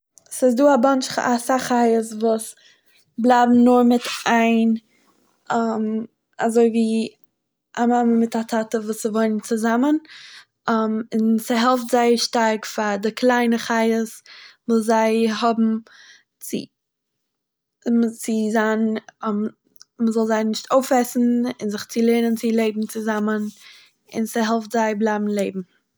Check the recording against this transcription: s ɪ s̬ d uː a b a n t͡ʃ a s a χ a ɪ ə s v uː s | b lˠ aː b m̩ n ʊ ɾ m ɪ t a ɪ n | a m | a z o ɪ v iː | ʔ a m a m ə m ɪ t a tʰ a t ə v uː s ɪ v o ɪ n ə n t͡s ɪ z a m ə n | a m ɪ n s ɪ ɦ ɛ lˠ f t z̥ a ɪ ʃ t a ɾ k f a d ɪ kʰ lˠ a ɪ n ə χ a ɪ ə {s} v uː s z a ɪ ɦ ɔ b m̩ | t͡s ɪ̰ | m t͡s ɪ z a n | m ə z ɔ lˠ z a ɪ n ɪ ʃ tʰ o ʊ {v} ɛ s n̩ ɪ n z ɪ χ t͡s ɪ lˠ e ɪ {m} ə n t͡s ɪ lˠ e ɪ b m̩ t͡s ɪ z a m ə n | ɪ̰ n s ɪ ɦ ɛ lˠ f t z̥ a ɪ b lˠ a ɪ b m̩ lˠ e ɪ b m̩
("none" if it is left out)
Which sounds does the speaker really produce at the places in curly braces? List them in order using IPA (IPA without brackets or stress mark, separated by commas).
s, f, n